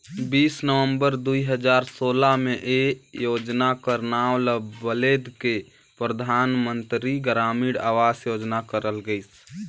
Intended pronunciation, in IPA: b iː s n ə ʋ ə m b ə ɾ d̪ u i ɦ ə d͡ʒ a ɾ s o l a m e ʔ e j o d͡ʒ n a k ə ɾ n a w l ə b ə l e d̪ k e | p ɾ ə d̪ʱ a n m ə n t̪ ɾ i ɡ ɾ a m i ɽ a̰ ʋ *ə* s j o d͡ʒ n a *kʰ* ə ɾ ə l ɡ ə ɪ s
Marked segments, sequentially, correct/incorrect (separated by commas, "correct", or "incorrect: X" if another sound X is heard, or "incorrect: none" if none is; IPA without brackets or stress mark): incorrect: a, incorrect: k